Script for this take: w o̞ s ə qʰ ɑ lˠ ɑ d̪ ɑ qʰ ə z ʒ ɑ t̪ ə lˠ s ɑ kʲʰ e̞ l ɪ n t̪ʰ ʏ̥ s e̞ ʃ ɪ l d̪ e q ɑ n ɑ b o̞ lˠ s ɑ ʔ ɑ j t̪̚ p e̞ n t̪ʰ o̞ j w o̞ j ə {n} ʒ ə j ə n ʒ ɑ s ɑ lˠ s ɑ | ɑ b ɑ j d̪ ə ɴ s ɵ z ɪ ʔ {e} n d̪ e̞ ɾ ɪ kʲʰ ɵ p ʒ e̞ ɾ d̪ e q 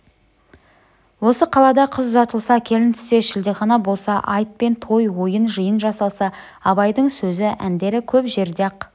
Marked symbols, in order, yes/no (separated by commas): yes, no